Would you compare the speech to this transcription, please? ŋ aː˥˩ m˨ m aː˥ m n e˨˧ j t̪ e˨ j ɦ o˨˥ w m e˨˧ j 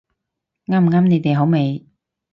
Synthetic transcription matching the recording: ŋ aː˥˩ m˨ ŋ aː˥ m n e˨˧ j t̪ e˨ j ɦ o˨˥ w m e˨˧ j